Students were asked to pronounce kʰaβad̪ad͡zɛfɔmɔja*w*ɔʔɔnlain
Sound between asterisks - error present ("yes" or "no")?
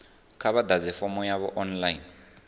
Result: yes